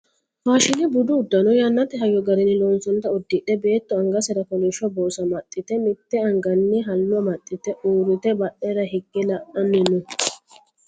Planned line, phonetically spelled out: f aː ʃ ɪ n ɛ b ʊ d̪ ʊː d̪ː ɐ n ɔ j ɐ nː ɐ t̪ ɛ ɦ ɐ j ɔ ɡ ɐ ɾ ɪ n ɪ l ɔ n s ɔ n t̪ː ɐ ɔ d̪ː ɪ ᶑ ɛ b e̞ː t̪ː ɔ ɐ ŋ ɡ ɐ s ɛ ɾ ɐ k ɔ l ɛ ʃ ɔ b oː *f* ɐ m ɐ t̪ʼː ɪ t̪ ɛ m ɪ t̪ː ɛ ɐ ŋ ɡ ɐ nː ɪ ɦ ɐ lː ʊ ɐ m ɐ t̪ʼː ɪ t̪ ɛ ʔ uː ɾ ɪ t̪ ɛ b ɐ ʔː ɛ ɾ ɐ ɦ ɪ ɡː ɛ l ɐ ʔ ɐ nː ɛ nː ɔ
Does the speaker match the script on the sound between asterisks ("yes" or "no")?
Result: no